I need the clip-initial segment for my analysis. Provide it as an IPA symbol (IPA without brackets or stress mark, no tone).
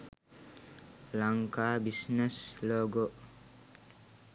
l